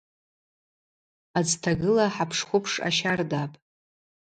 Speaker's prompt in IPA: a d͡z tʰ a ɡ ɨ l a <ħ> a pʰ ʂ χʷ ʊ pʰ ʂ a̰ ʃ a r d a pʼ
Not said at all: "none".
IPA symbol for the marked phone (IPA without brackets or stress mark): ħ